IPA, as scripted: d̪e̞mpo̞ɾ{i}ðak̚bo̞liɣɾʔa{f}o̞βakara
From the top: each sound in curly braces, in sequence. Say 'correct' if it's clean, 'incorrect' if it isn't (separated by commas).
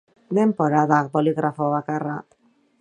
incorrect, correct